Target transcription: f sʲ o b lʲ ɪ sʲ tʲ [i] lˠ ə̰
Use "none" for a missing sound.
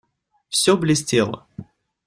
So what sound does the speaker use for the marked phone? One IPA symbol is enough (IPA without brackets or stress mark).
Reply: e